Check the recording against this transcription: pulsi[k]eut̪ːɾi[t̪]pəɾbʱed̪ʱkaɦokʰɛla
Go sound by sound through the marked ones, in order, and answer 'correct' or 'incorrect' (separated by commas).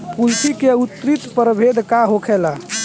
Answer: correct, correct